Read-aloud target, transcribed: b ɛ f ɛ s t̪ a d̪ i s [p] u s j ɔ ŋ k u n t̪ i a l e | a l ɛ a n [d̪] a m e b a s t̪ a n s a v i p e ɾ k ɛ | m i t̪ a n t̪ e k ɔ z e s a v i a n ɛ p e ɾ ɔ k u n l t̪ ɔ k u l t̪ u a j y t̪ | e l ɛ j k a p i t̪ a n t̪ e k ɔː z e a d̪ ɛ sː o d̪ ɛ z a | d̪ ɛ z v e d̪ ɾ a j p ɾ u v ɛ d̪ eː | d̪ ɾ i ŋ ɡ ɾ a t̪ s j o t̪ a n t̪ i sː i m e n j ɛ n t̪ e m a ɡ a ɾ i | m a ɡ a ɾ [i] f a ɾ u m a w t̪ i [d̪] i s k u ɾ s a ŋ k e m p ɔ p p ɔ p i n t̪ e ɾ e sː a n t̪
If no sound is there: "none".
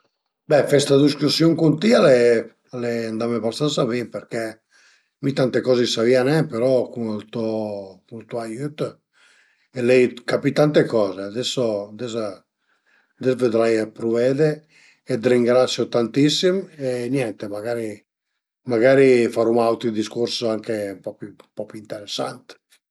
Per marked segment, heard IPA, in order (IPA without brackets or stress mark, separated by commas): k, d̪, i, d̪